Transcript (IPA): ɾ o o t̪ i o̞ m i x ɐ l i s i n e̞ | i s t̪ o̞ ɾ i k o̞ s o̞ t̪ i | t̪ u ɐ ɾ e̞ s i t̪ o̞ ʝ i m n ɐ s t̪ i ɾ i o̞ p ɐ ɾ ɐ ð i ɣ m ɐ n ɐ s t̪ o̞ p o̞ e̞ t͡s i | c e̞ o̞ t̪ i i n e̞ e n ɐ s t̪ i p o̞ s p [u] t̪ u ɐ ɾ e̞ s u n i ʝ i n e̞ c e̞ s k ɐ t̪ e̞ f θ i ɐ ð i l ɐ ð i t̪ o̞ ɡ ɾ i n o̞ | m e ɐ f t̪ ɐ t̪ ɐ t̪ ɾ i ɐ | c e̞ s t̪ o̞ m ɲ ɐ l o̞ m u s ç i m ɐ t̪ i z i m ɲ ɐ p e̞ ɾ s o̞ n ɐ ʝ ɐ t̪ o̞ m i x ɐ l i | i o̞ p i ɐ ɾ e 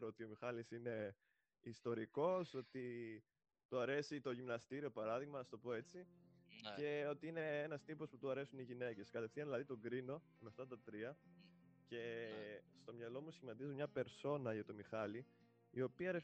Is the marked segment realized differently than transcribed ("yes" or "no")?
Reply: no